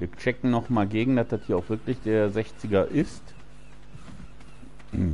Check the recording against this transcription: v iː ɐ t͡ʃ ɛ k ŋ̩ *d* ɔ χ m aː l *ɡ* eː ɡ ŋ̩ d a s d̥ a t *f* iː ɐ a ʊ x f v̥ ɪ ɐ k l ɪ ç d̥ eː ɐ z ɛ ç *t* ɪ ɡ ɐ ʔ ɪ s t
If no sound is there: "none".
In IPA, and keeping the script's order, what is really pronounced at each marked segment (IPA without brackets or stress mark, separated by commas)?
n, ɡ, h, t͡s